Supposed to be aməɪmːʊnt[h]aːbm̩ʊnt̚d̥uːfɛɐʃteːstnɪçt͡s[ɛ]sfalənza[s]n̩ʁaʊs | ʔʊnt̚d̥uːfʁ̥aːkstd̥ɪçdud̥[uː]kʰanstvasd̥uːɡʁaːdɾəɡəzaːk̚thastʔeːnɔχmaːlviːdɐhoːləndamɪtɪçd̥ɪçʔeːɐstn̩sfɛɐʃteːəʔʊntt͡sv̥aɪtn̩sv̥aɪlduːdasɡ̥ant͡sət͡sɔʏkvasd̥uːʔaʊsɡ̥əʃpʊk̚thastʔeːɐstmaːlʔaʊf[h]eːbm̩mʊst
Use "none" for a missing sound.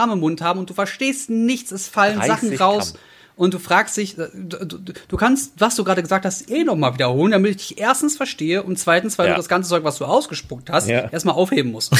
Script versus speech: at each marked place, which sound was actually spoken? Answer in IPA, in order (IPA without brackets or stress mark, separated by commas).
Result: h, ɛ, χ, uː, h